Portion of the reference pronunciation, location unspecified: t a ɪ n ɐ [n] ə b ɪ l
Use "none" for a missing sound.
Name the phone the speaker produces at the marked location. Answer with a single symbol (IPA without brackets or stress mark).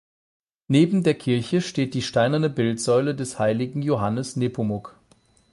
n